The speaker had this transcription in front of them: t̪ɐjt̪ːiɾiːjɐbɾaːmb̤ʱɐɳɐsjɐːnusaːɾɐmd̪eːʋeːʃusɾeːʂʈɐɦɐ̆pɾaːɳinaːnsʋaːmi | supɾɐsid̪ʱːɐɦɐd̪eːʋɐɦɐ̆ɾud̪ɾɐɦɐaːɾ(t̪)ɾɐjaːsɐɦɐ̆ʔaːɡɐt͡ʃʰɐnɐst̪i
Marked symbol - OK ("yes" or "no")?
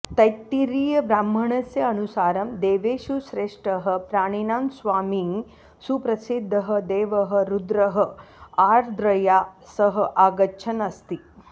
no